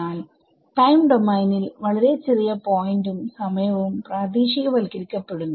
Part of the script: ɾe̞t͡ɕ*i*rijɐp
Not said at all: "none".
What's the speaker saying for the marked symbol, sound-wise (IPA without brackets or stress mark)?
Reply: e